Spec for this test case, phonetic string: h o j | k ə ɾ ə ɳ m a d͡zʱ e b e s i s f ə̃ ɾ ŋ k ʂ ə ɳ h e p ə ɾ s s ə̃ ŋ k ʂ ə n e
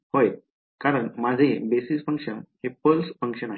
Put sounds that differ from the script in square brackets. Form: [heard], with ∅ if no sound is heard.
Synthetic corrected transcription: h o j | k [a] ɾ ə ɳ m a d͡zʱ e b e s i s f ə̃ [∅] ŋ k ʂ ə [n] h e p ə [l] s [f] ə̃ ŋ k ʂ ə n [a]